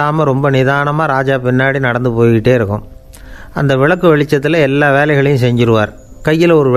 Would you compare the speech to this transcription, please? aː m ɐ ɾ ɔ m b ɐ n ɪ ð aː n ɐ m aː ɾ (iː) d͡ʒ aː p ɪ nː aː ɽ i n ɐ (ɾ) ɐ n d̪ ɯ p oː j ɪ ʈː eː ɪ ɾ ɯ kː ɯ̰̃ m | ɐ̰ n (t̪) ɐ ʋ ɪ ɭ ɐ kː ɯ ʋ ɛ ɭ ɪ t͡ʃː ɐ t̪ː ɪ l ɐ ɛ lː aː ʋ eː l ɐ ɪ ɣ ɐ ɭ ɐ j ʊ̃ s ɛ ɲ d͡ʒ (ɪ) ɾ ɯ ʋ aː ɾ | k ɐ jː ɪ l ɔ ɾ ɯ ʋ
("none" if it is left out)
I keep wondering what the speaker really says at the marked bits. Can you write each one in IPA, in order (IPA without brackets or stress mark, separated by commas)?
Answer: aː, ɽ, d̪, ɪ